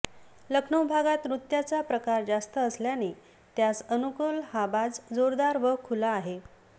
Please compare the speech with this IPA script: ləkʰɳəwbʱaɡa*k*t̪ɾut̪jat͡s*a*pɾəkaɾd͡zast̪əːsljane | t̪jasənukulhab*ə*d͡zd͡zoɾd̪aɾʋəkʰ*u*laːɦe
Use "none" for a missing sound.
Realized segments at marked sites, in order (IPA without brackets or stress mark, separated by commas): none, a, a, u